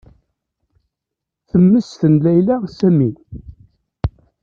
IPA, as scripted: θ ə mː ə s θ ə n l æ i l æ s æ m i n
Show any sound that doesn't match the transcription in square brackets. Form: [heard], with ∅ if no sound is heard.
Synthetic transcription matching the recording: θ ə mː ə s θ ə n l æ [j] l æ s æ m i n